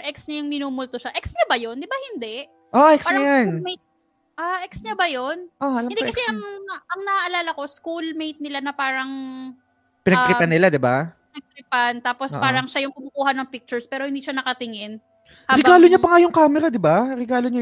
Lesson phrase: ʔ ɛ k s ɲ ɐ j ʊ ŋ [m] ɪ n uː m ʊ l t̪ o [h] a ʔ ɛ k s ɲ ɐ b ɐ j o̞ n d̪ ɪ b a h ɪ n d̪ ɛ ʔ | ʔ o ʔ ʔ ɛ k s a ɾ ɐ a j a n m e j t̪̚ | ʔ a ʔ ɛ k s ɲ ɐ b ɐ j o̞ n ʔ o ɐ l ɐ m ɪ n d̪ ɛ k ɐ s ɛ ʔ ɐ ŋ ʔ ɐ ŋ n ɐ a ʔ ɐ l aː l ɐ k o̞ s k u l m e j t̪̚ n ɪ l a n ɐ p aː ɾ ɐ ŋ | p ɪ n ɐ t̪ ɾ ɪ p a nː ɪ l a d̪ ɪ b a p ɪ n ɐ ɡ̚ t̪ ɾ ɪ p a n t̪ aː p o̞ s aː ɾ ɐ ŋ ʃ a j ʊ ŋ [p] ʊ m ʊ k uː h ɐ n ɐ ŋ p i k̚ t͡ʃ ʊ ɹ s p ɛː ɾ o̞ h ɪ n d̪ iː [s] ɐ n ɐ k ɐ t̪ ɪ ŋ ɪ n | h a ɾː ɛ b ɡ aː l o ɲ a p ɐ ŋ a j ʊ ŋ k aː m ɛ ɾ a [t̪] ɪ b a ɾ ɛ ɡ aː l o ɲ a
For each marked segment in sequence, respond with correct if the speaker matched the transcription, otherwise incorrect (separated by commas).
correct, incorrect, incorrect, incorrect, incorrect